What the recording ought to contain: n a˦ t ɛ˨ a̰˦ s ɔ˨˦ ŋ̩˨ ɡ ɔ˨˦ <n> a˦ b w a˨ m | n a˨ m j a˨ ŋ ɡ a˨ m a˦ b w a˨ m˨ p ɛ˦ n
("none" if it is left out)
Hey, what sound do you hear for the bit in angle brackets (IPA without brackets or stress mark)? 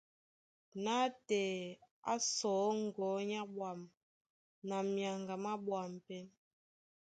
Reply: ɲ